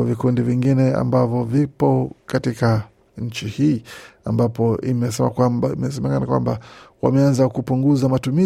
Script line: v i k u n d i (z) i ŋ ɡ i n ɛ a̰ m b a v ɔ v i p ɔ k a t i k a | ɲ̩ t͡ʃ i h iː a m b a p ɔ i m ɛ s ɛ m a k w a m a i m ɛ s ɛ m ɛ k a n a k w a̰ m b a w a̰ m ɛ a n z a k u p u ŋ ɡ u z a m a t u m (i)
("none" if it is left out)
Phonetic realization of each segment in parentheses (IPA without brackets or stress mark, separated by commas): v, i